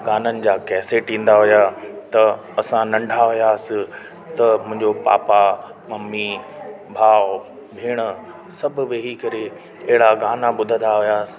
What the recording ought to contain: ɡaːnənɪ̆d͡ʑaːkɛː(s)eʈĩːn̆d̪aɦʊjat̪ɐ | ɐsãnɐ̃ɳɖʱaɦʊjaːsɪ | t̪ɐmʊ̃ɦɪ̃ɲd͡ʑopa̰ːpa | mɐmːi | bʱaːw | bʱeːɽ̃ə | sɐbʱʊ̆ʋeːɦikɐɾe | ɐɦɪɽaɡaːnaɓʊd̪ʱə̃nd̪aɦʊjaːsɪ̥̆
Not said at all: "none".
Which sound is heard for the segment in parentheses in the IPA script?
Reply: s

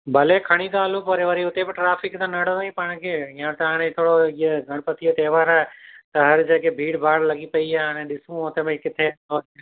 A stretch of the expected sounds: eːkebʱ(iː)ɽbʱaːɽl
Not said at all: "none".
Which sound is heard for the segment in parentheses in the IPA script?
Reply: iː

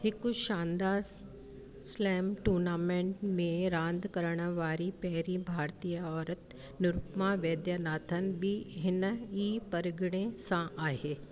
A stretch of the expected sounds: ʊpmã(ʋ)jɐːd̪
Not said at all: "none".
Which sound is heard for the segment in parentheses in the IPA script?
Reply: ʋ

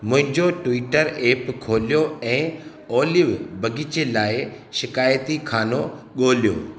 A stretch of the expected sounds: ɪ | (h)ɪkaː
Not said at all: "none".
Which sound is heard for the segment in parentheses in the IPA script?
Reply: ʃ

